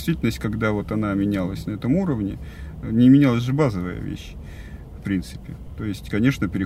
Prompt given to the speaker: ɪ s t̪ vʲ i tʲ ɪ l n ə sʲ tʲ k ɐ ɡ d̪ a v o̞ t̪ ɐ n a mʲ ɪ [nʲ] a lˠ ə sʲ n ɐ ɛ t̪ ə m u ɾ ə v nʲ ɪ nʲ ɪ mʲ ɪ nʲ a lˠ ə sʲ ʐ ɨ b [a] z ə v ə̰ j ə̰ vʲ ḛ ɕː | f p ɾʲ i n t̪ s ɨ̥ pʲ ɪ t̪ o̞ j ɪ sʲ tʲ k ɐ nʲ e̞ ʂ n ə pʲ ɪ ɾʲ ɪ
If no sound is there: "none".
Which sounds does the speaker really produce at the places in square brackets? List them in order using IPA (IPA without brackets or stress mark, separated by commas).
nʲ, a